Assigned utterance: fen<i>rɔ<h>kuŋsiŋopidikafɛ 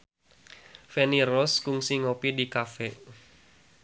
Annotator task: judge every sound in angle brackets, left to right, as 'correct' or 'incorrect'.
correct, incorrect

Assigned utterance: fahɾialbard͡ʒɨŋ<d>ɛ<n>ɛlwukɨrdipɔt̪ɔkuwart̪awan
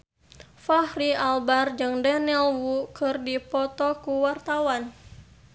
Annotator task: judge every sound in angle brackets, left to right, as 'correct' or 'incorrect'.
correct, correct

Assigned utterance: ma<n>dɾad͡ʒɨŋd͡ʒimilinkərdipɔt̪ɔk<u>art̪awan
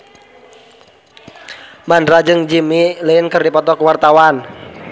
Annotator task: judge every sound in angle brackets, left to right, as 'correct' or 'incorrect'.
correct, incorrect

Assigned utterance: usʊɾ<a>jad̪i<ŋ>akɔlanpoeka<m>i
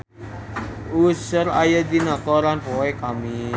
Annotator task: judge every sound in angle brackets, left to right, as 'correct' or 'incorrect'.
correct, incorrect, correct

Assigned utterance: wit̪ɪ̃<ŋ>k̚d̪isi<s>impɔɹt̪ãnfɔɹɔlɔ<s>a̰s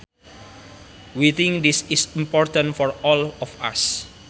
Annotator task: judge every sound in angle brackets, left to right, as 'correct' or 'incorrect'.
correct, correct, incorrect

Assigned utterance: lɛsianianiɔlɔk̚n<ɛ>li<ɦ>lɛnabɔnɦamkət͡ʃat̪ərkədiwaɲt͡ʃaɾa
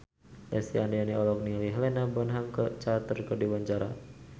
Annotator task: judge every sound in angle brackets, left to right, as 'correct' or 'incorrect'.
incorrect, correct

